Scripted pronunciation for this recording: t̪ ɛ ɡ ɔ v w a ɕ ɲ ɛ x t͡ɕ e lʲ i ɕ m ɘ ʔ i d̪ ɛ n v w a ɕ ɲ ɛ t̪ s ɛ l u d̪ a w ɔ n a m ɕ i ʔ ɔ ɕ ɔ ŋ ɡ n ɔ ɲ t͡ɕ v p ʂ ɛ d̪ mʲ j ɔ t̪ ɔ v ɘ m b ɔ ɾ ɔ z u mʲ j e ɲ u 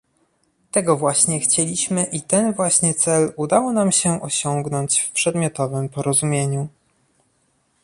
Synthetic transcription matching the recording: t̪ ɛ ɡ ɔ v w a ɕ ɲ ɛ x t͡ɕ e lʲ i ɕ m ɘ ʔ i t̪ ɛ n v w a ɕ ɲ ɛ t̪ s ɛ l u d̪ a w ɔ n a m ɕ ɛ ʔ ɔ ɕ ɔ ŋ ɡ n ɔ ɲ t͡ɕ f p ʂ ɛ d̪ mʲ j ɔ t̪ ɔ v ɘ m p ɔ ɾ ɔ z u mʲ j e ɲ u